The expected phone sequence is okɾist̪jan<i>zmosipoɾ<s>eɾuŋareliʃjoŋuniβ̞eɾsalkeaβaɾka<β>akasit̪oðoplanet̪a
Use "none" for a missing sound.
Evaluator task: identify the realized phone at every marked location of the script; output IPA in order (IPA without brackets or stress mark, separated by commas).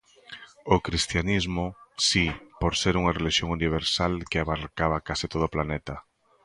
i, s, β